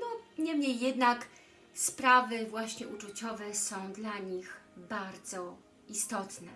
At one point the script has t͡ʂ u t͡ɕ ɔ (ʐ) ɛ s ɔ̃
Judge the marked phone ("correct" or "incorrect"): incorrect